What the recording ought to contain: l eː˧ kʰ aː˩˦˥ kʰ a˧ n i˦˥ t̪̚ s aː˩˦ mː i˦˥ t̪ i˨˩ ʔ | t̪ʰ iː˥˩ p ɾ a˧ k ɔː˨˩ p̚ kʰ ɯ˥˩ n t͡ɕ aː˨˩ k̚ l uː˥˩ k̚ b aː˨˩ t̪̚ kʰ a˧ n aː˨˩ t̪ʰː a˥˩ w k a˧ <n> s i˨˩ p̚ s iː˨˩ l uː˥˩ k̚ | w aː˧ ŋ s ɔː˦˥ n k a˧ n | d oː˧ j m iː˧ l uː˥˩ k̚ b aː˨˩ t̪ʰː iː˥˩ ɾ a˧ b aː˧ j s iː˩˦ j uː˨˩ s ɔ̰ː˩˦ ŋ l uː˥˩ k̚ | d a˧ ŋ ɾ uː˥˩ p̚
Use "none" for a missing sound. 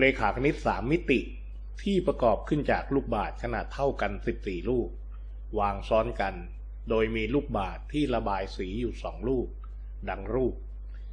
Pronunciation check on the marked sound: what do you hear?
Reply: n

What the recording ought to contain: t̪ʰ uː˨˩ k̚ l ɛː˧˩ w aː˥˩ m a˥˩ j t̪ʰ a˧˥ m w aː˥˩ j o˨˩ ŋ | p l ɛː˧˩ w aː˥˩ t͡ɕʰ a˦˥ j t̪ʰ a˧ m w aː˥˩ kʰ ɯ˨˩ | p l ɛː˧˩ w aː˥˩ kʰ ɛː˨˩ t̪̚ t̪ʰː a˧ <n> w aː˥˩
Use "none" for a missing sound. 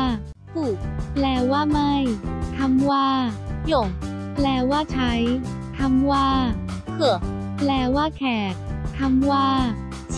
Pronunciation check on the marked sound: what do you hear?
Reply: m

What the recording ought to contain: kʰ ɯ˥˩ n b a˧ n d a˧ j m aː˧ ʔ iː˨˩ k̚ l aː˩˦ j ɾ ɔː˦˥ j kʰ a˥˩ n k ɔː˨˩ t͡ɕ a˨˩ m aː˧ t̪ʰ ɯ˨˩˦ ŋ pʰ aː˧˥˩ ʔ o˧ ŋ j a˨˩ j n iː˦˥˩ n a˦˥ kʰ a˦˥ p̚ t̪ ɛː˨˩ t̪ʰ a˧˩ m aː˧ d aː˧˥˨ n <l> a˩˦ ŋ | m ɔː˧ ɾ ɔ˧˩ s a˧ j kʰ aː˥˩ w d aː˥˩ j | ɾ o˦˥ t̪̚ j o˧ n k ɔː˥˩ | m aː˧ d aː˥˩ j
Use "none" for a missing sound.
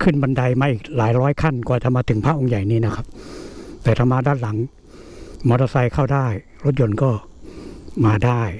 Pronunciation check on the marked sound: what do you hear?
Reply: l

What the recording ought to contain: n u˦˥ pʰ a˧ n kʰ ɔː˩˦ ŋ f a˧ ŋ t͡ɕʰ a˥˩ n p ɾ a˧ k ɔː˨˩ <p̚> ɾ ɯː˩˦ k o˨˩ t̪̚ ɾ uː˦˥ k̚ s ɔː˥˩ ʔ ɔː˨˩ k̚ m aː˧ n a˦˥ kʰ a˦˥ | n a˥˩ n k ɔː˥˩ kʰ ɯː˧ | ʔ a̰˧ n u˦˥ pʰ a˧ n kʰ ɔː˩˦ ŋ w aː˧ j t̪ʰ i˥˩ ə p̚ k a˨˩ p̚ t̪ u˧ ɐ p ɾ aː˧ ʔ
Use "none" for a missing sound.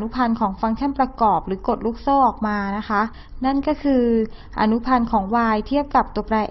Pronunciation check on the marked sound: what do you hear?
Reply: p̚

